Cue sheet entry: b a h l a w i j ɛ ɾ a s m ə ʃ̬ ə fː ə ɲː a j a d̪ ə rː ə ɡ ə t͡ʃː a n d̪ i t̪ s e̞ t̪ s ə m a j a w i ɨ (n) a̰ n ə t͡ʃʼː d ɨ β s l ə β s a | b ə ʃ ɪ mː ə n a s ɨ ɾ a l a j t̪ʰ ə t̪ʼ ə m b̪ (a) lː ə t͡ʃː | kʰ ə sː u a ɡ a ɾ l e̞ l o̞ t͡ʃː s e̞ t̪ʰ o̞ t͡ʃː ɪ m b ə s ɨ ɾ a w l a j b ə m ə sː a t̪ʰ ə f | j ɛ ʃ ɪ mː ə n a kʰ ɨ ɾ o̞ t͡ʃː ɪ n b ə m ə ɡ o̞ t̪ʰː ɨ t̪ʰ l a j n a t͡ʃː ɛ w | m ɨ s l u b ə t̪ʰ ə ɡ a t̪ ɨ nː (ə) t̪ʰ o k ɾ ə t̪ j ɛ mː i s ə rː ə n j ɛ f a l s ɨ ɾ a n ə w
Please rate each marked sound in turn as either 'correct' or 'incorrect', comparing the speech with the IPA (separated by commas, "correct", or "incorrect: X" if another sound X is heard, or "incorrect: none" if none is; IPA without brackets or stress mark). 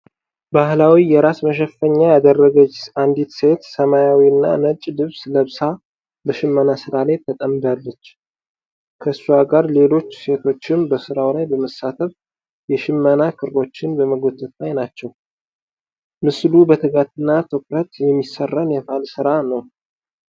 incorrect: nː, correct, incorrect: a